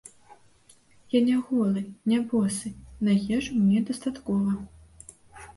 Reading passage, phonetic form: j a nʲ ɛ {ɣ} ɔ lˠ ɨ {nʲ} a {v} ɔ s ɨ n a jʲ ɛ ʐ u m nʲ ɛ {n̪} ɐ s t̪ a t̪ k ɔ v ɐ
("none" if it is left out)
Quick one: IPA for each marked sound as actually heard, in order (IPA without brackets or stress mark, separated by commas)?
ɣ, nʲ, b, d̪